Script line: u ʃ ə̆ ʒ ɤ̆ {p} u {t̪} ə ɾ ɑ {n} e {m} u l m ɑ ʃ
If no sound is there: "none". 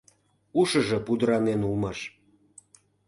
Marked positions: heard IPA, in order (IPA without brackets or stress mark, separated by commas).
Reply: p, d̪, n, n